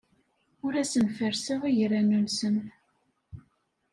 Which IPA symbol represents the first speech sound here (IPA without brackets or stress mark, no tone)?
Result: ʊ